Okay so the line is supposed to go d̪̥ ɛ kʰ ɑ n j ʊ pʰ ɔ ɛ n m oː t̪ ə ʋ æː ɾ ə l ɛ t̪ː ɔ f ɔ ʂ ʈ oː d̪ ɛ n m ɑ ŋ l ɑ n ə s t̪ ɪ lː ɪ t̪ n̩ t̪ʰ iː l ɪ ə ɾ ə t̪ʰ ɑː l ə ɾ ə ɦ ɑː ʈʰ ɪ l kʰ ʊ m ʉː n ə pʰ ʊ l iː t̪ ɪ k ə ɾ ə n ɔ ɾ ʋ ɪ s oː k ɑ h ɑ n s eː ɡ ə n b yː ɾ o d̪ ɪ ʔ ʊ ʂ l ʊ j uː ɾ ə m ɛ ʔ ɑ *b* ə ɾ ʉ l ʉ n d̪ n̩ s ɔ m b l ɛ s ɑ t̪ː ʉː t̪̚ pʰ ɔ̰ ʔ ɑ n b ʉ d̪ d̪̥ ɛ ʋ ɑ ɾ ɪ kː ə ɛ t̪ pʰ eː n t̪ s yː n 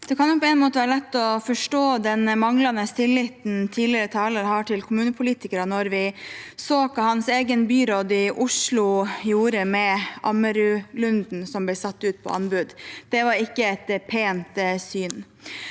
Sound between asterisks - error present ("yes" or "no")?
yes